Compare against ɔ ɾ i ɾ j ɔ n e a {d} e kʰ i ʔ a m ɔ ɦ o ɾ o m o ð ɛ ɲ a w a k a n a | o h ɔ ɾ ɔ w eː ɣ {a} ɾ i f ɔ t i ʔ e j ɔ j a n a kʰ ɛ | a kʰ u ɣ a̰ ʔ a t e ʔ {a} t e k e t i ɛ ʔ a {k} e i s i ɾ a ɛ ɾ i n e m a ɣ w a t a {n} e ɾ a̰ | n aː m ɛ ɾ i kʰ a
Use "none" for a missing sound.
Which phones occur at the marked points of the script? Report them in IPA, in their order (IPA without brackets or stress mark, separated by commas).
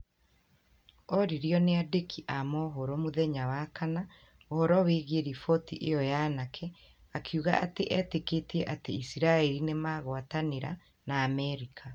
d, e, ɛ, t, n